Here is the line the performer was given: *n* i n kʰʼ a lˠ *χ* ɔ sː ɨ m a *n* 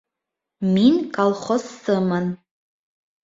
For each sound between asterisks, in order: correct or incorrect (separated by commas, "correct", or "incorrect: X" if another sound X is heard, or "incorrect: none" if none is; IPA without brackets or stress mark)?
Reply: incorrect: m, correct, correct